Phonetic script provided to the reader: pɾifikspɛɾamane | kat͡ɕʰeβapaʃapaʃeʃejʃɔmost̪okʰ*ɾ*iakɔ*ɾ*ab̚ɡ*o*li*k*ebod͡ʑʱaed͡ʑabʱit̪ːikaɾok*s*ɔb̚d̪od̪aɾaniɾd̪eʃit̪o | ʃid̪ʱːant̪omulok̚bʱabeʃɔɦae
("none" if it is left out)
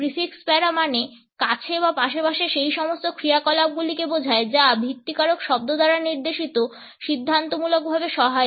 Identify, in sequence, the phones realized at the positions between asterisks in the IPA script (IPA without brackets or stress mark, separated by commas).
ɾ, l, u, k, ʃ